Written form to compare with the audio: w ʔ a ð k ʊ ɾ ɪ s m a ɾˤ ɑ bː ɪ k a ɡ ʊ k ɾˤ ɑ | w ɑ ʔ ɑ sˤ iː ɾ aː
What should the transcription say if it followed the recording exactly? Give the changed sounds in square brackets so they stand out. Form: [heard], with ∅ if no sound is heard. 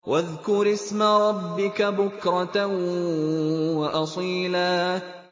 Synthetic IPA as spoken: w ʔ a ð k ʊ ɾ ɪ s m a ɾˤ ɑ bː ɪ k a [b] ʊ k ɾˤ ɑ | w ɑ ʔ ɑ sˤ iː [l] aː